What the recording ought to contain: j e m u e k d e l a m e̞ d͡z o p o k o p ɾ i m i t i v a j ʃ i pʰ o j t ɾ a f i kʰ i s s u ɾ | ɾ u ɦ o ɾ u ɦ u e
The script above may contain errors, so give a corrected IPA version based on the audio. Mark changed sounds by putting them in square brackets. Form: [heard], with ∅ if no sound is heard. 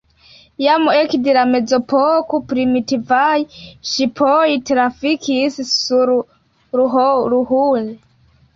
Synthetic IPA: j [a] m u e k d e l a m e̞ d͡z o p o k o p ɾ i m i t i v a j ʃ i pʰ o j t ɾ a f i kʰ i s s u ɾ | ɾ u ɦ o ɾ u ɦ u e